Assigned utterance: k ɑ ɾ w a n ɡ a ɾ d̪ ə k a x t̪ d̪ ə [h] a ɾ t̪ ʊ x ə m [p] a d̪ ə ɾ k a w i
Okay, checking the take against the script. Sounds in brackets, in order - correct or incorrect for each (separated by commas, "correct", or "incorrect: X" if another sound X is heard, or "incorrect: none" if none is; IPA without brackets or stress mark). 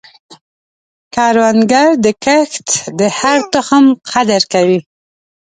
correct, incorrect: q